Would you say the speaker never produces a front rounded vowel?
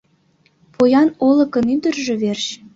no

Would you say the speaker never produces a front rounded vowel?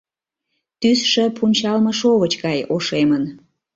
no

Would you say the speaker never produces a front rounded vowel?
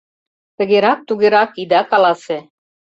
yes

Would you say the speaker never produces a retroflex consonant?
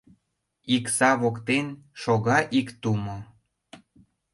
yes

